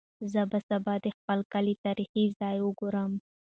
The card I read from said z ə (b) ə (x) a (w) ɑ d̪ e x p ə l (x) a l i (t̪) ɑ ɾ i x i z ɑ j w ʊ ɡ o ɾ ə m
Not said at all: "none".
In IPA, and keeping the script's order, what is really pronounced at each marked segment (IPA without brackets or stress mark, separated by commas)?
b, s, b, k, t̪